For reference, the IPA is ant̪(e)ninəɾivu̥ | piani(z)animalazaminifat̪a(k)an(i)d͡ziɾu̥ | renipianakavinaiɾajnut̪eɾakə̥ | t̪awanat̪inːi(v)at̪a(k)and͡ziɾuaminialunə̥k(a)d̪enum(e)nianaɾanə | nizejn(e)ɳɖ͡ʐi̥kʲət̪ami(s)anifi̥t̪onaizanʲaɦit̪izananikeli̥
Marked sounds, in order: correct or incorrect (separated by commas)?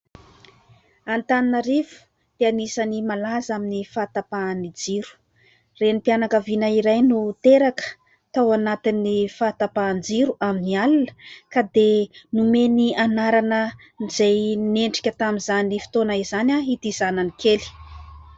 incorrect, incorrect, incorrect, correct, incorrect, incorrect, correct, correct, correct, incorrect